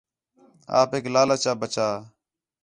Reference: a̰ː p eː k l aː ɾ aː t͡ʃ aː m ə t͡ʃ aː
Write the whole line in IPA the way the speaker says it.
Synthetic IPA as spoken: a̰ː p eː k l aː l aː t͡ʃ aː b ə t͡ʃ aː